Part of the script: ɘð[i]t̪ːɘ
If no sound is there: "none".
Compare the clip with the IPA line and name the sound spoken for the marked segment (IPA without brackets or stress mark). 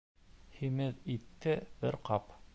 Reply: i